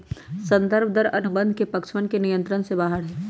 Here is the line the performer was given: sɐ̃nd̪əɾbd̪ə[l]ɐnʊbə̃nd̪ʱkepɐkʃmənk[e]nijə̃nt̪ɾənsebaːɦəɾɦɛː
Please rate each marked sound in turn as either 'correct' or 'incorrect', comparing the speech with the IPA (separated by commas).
incorrect, correct